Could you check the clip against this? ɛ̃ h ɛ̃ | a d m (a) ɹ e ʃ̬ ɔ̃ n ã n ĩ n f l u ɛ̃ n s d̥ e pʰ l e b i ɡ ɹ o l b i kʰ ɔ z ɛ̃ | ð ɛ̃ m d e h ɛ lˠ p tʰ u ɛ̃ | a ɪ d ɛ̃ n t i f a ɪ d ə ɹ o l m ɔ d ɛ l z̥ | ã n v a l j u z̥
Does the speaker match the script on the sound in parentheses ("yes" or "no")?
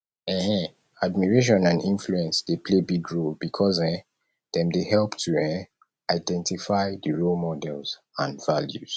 no